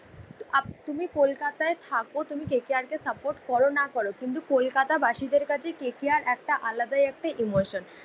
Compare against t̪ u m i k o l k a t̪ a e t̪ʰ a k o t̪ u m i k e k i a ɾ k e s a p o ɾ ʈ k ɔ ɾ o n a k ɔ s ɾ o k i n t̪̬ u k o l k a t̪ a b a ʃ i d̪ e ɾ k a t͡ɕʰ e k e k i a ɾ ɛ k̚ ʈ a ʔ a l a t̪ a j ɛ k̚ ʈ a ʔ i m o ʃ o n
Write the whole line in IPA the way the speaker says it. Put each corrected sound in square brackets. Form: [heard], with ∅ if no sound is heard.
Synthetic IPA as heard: t̪ u m i k o l k a t̪ a e t̪ʰ a k o t̪ u m i k e k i a ɾ k e s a p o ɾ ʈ k ɔ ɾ o n a k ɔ [∅] ɾ o k i n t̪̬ u k o l k a t̪ a b a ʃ i d̪ e ɾ k a t͡ɕʰ e k e k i a ɾ ɛ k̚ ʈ a ʔ a l a [d̪] a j ɛ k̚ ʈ a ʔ i m o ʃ o n